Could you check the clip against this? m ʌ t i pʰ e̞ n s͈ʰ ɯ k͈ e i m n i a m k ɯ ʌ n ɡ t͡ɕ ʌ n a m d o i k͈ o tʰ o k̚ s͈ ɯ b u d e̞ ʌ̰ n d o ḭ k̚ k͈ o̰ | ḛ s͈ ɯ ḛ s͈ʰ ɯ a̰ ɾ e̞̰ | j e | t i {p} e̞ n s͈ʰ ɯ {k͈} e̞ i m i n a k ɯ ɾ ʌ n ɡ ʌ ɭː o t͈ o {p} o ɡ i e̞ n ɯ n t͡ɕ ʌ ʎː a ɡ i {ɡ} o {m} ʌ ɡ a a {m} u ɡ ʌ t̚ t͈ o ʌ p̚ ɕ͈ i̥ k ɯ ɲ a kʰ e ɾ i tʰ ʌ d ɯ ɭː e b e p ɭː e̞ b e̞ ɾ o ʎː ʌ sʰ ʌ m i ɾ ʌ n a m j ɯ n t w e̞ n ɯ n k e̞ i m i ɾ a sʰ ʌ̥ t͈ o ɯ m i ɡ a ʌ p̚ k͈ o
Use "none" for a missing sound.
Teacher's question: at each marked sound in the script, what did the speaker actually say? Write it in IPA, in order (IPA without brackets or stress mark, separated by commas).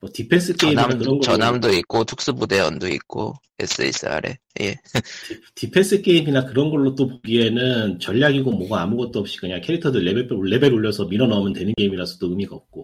pʰ, k͈, p, ɡ, m, m